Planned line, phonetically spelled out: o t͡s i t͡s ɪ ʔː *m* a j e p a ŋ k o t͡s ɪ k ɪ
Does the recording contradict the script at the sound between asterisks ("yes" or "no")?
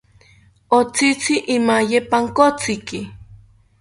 no